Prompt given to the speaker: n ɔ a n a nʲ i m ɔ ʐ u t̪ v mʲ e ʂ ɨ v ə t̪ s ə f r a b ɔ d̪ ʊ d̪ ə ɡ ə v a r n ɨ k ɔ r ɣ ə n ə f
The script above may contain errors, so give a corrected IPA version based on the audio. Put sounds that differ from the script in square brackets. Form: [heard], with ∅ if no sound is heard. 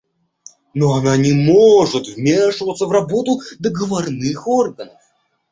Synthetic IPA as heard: n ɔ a n a nʲ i m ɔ ʐ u t̪ v mʲ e ʂ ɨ v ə t̪ s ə [v] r a b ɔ [t̪] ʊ d̪ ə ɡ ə v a r n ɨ [x] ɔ r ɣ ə n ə f

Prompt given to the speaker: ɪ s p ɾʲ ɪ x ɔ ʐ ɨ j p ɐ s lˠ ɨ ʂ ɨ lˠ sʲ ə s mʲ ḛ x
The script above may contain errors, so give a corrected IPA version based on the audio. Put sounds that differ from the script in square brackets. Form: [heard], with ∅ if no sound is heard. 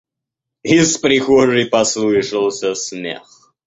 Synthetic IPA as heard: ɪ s p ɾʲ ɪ x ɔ ʐ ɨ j p ɐ s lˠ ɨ ʂ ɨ lˠ sʲ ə s mʲ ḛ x

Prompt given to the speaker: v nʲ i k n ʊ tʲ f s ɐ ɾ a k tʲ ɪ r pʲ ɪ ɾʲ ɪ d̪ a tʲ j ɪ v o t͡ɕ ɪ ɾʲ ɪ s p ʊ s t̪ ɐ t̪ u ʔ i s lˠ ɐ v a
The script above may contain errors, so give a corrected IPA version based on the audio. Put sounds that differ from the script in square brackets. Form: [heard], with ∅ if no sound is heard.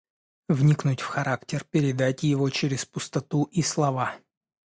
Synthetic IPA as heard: v nʲ i k n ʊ tʲ f [x] ɐ ɾ a k tʲ ɪ r pʲ ɪ ɾʲ ɪ d̪ a tʲ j ɪ v o t͡ɕ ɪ ɾʲ ɪ s p ʊ s t̪ ɐ t̪ u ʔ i s lˠ ɐ v a

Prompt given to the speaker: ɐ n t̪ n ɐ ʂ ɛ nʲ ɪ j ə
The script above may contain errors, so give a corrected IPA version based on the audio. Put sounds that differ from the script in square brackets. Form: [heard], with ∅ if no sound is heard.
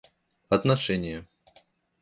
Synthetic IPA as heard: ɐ [∅] t̪ n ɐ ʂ ɛ nʲ ɪ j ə

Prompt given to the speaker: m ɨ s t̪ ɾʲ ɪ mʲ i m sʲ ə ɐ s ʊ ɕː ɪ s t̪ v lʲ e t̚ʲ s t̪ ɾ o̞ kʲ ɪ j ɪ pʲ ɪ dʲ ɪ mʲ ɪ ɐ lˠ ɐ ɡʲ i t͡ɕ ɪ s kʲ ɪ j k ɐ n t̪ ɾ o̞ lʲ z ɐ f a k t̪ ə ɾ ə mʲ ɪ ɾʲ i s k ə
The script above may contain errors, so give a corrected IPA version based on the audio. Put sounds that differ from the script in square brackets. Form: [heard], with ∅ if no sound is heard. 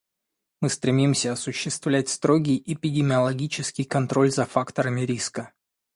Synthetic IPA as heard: m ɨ s t̪ ɾʲ ɪ mʲ i m sʲ ə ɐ s ʊ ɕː ɪ s t̪ v lʲ [æ] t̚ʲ s t̪ ɾ o̞ [ɡʲ] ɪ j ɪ pʲ ɪ dʲ ɪ mʲ ɪ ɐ lˠ ɐ ɡʲ i t͡ɕ ɪ s kʲ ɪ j k ɐ n t̪ ɾ o̞ lʲ z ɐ f a k t̪ ə ɾ ə mʲ ɪ ɾʲ i s k ə

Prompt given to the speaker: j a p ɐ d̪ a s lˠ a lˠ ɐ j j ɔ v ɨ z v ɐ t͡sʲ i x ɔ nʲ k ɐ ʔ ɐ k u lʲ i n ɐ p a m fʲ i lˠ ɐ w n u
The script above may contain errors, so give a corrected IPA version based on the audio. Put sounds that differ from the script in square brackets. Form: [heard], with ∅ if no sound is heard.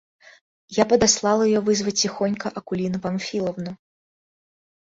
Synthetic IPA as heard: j a p ɐ d̪ a s lˠ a lˠ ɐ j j ɔ v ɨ z v ɐ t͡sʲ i x ɔ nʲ k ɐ ʔ ɐ k u lʲ i n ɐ p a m fʲ i lˠ ɐ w n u

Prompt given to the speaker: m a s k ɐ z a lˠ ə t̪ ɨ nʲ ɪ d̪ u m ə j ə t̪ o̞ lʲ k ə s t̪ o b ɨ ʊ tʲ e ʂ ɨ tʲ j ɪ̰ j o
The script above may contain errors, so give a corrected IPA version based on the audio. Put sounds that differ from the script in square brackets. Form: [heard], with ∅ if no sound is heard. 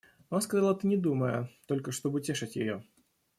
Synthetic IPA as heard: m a s k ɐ z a lˠ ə t̪ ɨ nʲ ɪ d̪ u m ə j ə t̪ o̞ lʲ k ə [ʂ] t̪ o b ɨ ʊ tʲ e ʂ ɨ tʲ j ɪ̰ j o

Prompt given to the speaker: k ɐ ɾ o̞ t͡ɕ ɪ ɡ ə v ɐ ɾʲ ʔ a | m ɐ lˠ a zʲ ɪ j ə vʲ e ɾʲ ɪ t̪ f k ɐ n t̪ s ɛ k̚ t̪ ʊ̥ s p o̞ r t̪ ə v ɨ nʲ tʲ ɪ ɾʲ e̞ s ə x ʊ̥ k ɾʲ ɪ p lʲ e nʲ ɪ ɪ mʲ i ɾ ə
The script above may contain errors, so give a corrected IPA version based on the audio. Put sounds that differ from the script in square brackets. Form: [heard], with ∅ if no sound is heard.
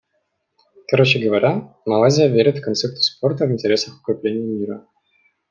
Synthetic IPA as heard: k ɐ ɾ o̞ t͡ɕ ɪ ɡ ə v ɐ ɾʲ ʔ a | m ɐ lˠ a zʲ ɪ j ə vʲ e ɾʲ ɪ t̪ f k ɐ n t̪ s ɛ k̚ t̪ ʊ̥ s p o̞ r t̪ ə v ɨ nʲ tʲ ɪ ɾʲ e̞ s ə x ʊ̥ k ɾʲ ɪ p lʲ e nʲ ɪ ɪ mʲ i ɾ ə

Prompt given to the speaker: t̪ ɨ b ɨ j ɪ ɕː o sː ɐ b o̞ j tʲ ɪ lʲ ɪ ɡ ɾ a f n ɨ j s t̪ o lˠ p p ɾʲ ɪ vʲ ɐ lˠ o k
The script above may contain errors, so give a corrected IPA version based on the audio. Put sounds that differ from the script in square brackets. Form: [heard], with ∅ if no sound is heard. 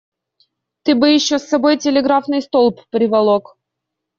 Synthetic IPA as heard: t̪ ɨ b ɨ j ɪ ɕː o sː ɐ b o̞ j tʲ ɪ lʲ ɪ ɡ ɾ a f n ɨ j s t̪ o lˠ p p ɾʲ ɪ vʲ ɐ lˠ o k

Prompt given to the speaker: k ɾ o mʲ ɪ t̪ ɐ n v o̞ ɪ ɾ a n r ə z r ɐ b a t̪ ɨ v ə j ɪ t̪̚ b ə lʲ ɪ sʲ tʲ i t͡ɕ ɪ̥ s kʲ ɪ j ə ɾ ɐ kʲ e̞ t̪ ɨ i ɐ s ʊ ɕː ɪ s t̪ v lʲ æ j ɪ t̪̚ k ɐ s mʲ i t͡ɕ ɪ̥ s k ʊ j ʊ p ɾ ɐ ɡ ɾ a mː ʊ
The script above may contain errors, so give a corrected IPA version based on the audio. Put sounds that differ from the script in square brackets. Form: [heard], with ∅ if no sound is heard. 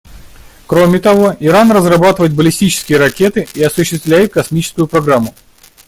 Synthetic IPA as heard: k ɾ o mʲ ɪ t̪ ɐ [∅] v o̞ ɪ ɾ a n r ə z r ɐ b a t̪ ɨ v ə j ɪ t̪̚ b ə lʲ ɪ sʲ tʲ i t͡ɕ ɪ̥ s kʲ ɪ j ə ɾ ɐ kʲ e̞ t̪ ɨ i ɐ s ʊ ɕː ɪ s t̪ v lʲ æ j ɪ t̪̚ k ɐ s mʲ i t͡ɕ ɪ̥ s k ʊ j ʊ p ɾ ɐ ɡ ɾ a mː ʊ

